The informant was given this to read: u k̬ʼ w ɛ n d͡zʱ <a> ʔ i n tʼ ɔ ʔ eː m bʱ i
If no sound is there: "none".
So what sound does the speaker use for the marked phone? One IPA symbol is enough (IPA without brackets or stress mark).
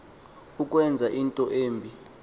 a